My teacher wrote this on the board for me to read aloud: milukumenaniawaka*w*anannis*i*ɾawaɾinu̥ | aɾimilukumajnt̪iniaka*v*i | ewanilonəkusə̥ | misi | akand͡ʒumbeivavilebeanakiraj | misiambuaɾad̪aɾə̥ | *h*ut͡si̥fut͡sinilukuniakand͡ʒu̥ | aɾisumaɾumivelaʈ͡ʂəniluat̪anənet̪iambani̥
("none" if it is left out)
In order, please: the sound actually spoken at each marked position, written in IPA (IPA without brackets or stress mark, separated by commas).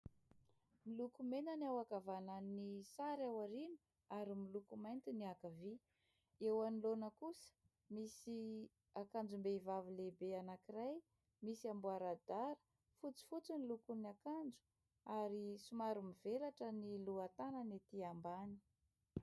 v, a, v, f